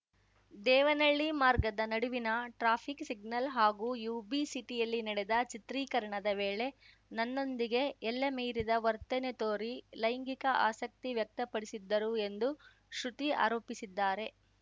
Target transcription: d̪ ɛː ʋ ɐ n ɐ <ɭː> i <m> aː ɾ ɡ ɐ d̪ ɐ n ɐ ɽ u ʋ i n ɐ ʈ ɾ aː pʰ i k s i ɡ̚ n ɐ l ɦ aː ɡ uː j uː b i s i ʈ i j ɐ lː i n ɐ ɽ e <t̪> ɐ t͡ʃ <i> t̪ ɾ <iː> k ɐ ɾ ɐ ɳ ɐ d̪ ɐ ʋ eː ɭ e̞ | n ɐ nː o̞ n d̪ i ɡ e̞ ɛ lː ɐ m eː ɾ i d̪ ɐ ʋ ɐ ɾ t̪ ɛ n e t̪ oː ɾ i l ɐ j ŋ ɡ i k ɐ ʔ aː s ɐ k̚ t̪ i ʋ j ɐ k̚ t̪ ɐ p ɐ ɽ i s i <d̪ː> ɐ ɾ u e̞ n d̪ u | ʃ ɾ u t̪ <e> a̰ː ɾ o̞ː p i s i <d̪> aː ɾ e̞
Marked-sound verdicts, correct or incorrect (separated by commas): correct, correct, incorrect, correct, correct, correct, incorrect, incorrect